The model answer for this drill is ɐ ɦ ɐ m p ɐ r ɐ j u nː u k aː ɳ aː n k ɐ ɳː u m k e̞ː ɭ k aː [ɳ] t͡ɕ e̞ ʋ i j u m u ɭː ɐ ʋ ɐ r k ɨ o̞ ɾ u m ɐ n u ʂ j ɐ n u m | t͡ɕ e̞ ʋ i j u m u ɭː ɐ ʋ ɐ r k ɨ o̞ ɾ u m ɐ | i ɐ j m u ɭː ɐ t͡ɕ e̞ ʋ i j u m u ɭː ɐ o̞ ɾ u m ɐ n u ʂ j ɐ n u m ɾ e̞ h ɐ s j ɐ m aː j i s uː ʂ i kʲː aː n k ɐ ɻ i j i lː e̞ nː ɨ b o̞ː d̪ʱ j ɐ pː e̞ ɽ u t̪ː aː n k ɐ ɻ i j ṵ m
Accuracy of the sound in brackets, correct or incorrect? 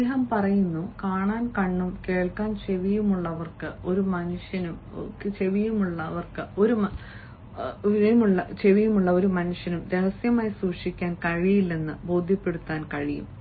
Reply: incorrect